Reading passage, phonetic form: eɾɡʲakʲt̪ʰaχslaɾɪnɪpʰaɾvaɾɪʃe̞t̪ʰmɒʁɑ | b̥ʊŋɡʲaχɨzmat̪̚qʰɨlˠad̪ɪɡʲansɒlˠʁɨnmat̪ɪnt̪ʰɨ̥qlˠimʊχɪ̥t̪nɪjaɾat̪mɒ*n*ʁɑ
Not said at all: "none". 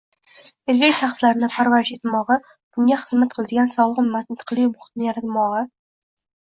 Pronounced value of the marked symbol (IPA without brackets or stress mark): none